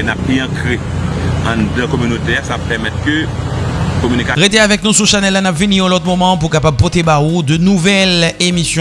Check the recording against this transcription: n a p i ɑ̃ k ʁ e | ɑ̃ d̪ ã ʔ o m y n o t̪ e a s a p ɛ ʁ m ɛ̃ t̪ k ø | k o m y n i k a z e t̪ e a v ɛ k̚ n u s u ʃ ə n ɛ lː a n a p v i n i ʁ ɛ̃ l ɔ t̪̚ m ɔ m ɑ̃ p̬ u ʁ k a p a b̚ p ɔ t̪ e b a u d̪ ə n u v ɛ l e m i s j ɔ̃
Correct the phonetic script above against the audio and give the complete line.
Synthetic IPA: n a p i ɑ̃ k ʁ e | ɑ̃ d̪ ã k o m y n o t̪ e a s a p ɛ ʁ m ɛ t̪ k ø | k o m y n i k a ʁ e t̪ e a v ɛ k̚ n u s u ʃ a n ɛ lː a n a p v i n i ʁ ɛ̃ l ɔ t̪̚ m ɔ m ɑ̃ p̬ u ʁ k a p a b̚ p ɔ t̪ e b a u d̪ ə n u v ɛ l e m i s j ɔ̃